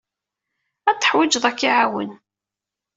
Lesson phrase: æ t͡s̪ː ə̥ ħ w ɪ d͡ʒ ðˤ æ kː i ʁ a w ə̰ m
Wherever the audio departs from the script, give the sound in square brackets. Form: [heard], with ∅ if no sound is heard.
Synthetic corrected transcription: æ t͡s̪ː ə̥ ħ w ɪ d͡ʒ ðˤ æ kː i [ʕ] a w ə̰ [n]